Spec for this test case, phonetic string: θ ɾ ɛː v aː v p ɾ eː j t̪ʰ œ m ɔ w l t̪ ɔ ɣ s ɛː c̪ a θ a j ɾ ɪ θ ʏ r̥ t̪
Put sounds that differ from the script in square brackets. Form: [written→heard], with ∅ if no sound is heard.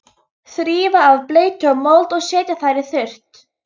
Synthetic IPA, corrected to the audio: θ ɾ [ɛː→iː] v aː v p [ɾ→l] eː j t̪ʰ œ m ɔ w l t̪ ɔ ɣ s ɛː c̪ a θ a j ɾ ɪ θ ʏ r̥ t̪